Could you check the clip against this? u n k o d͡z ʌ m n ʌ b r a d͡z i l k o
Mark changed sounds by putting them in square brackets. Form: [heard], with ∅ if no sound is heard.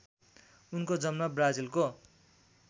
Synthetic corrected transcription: u n k o d͡z ʌ m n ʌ b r a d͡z i l k o

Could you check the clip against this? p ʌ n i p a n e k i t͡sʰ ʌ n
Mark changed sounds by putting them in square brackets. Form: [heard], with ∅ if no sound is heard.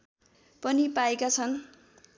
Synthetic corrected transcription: p ʌ n i p a [∅] e k [a] t͡sʰ ʌ n

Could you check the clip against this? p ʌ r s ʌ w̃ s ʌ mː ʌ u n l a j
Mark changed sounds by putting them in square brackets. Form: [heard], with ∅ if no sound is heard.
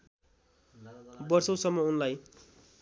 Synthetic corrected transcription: [b] ʌ r s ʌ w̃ s ʌ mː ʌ u n l a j

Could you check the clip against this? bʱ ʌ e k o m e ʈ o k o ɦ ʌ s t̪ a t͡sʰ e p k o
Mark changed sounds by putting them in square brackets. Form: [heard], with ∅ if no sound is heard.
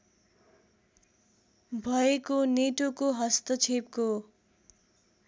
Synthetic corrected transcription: bʱ ʌ e k o [n] e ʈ o k o ɦ ʌ s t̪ [ʌ] t͡sʰ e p k o

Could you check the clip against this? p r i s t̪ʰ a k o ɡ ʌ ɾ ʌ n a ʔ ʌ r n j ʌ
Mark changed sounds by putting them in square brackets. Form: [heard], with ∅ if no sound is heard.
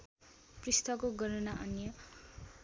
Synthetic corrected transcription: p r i s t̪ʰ [ʌ] k o ɡ ʌ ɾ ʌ n a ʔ ʌ [∅] n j ʌ

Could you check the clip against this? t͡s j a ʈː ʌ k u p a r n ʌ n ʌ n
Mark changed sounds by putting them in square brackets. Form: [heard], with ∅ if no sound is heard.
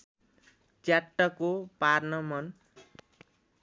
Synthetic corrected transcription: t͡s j a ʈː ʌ k [o] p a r n ʌ [m] ʌ n

